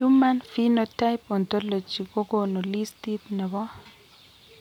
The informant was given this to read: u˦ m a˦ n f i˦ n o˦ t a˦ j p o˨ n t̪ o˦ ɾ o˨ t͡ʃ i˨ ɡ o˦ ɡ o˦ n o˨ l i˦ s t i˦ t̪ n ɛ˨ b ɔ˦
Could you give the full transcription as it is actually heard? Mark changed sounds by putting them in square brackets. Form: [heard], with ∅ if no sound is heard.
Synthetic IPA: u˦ m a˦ n f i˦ n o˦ t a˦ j p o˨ n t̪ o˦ [l] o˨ t͡ʃ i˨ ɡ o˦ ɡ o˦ n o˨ l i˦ s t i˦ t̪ n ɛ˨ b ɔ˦